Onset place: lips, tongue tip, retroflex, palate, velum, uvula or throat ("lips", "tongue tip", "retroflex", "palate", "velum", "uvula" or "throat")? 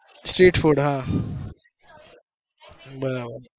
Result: tongue tip